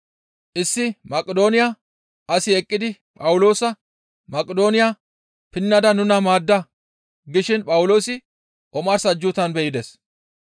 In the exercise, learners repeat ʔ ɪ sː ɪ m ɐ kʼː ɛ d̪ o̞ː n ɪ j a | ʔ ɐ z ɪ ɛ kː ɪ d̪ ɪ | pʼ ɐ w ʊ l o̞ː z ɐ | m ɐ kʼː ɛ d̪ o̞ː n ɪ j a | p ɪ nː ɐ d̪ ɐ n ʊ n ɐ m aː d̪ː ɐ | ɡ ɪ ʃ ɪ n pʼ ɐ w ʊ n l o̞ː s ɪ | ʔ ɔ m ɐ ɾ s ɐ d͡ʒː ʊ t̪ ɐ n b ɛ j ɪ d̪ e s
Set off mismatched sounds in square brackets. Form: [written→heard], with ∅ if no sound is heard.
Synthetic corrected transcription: ʔ ɪ sː ɪ m ɐ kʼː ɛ d̪ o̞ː n ɪ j a | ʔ ɐ [z→s] ɪ ɛ [kː→kʼː] ɪ d̪ ɪ | pʼ ɐ w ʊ l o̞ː [z→s] ɐ | m ɐ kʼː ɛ d̪ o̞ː n ɪ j a | p ɪ nː ɐ d̪ ɐ n ʊ n ɐ m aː d̪ː ɐ | ɡ ɪ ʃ ɪ n pʼ ɐ w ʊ [n→∅] l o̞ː s ɪ | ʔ ɔ m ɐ ɾ s ɐ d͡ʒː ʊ t̪ ɐ n b ɛ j ɪ d̪ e s